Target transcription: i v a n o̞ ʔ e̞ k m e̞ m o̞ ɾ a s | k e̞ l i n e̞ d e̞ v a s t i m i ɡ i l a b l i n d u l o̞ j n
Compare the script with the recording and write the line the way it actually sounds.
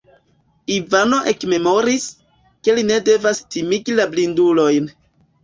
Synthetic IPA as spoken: i v a n o̞ ʔ e̞ k m e̞ m o̞ ɾ i s | k e̞ l i n e̞ d e̞ v a s t i m i ɡ i l a b l i n d u l o̞ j n